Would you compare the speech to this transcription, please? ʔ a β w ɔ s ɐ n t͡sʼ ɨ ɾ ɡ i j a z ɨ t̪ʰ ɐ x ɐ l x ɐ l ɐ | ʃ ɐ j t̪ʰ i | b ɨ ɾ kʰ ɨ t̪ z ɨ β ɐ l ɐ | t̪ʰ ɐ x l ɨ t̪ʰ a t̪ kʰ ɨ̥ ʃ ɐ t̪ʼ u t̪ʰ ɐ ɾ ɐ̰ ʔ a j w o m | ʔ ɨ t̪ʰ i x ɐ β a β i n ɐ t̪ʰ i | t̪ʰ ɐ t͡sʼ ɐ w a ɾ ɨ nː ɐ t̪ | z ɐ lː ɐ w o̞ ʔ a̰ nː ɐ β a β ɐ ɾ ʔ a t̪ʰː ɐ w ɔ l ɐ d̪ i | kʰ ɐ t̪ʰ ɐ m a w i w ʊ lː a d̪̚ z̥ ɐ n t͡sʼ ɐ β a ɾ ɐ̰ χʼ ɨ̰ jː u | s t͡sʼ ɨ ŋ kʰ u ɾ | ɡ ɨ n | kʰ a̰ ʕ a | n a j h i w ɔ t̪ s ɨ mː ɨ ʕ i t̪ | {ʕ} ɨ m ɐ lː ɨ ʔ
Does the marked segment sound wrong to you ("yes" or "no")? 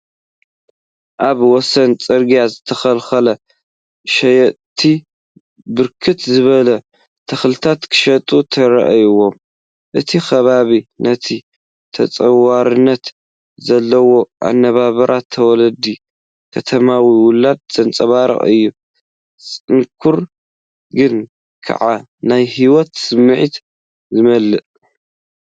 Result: yes